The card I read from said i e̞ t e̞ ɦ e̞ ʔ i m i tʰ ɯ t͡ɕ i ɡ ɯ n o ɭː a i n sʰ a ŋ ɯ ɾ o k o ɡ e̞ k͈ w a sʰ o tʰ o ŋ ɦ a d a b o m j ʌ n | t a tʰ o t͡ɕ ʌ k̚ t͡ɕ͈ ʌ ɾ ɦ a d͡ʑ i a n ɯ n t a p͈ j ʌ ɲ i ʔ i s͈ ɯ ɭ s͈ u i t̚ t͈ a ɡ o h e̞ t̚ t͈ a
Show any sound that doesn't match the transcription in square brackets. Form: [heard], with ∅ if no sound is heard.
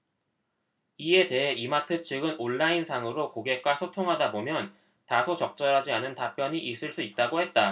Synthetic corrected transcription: i e̞ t e̞ ɦ e̞ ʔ i m [a] tʰ ɯ [t͡ɕʰ] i ɡ ɯ n o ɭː a i n sʰ a ŋ ɯ ɾ o k o ɡ e̞ k͈ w a sʰ o tʰ o ŋ ɦ a d a b o m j ʌ n | t a [sʰ] o t͡ɕ ʌ k̚ t͡ɕ͈ ʌ ɾ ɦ a d͡ʑ i a n ɯ n t a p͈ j ʌ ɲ i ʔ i s͈ ɯ ɭ s͈ u i t̚ t͈ a ɡ o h e̞ t̚ t͈ a